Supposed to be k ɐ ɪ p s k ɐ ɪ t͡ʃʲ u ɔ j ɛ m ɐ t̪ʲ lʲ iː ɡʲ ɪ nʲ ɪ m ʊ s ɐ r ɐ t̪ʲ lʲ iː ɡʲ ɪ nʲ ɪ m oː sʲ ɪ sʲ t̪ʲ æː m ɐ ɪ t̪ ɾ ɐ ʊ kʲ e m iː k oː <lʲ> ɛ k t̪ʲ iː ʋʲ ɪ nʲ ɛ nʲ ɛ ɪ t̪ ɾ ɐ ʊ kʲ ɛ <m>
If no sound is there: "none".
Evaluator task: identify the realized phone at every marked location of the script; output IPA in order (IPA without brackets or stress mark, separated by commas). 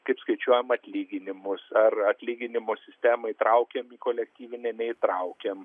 lʲ, m